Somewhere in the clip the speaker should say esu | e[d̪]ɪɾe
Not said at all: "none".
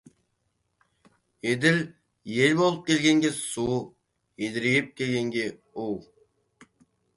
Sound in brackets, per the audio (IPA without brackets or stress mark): d̪